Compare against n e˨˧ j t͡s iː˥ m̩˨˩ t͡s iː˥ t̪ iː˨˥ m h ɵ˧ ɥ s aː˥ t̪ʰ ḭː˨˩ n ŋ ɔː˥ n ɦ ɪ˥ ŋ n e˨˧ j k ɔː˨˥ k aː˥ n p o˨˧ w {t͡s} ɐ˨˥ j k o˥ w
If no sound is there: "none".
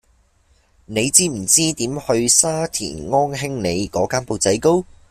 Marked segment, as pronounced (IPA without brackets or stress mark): t͡s